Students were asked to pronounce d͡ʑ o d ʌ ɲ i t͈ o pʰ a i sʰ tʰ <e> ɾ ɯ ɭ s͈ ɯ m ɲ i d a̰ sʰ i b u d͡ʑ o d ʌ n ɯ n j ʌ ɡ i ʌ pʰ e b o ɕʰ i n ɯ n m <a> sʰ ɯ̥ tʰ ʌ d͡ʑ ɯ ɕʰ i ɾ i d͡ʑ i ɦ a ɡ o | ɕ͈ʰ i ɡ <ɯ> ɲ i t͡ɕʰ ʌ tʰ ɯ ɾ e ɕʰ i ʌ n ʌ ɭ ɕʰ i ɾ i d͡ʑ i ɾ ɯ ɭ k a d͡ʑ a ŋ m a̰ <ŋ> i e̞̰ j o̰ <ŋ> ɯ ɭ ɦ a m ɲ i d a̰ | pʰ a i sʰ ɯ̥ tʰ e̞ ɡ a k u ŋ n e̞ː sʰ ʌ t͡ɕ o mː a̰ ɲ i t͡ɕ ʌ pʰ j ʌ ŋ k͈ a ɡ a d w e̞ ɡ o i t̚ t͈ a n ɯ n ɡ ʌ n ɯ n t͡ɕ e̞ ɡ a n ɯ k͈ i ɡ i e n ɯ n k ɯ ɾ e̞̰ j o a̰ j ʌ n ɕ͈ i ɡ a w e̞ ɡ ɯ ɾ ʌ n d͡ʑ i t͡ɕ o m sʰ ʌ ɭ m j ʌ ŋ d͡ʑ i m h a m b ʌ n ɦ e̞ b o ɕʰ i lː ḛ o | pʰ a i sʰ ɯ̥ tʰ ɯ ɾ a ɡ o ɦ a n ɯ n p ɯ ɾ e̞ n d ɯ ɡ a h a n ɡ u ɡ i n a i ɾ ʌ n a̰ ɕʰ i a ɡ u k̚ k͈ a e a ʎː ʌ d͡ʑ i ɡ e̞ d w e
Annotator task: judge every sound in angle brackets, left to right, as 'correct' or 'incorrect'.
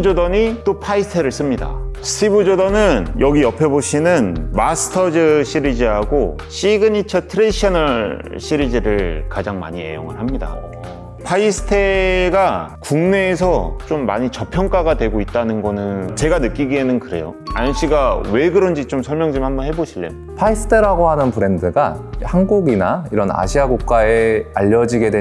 correct, correct, correct, incorrect: ɲ, correct

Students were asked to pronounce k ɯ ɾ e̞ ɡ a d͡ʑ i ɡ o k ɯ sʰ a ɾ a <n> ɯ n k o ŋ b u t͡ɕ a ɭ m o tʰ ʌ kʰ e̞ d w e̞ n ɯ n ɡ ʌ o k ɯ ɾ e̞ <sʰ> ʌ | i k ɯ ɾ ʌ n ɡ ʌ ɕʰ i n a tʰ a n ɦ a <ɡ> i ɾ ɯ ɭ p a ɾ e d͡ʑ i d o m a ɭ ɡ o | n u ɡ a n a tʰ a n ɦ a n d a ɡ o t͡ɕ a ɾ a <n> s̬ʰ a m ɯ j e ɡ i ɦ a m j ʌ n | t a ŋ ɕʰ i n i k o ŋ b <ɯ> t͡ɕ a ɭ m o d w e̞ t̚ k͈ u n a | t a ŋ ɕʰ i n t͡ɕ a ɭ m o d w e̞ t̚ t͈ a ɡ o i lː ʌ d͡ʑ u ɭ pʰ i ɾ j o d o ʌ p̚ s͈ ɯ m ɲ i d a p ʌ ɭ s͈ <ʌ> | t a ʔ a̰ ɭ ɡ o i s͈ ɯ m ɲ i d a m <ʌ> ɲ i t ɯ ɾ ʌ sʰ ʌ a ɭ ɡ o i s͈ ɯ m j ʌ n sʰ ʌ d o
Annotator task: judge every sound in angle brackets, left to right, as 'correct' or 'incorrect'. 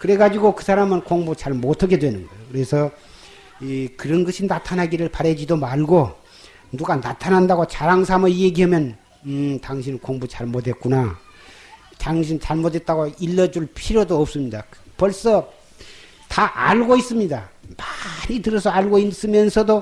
incorrect: m, correct, correct, incorrect: ŋ, incorrect: u, correct, incorrect: a

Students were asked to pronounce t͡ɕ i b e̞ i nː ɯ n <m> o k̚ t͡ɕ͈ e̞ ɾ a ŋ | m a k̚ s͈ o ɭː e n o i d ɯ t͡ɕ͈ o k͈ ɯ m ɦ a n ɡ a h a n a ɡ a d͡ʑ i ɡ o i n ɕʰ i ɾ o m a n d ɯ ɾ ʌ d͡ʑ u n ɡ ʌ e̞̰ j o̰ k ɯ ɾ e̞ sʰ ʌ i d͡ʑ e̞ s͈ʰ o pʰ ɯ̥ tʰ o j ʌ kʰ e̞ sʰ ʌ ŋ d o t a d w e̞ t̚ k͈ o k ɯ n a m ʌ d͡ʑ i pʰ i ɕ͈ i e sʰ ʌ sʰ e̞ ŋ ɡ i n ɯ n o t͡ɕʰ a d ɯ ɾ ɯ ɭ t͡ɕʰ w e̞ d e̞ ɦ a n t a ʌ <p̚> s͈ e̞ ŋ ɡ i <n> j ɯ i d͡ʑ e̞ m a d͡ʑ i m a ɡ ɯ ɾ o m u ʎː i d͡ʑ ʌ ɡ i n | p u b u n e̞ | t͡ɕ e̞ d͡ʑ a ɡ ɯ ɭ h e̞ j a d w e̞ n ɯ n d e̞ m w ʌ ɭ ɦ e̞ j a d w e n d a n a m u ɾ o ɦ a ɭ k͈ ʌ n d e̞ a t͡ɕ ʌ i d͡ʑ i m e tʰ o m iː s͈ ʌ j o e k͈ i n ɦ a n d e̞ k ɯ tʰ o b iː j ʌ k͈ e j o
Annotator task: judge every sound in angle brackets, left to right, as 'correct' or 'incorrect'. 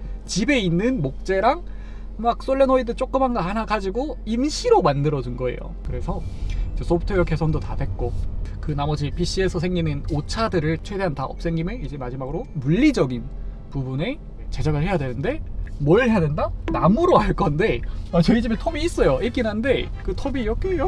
correct, correct, incorrect: m

